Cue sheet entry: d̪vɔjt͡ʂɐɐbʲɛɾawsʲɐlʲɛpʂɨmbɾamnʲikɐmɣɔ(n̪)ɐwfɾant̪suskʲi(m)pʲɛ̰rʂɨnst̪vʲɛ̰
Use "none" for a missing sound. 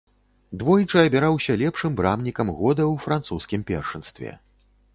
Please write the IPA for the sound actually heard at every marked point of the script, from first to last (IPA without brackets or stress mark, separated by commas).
d̪, m